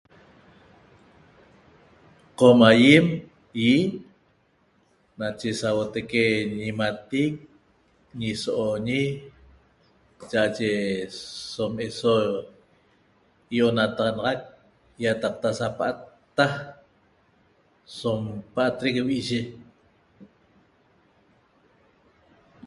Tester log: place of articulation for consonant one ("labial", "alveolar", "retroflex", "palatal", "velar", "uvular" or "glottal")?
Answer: uvular